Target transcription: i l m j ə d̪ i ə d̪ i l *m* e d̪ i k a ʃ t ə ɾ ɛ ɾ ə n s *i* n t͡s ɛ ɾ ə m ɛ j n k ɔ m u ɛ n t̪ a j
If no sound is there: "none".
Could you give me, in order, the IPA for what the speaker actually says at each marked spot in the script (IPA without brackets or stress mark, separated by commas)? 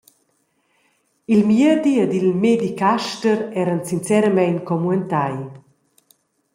m, i